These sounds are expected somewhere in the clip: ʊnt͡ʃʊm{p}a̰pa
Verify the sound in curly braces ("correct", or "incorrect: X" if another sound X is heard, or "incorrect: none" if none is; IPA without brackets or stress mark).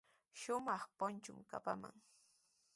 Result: incorrect: k